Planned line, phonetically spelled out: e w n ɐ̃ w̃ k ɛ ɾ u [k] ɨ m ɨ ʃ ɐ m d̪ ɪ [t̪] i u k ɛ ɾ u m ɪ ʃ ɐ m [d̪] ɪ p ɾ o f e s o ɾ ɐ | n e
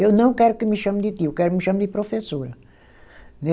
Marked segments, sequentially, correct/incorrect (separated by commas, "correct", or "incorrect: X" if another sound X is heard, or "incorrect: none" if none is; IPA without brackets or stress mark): correct, correct, correct